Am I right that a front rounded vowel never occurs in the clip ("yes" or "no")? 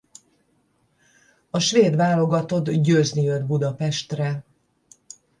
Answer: no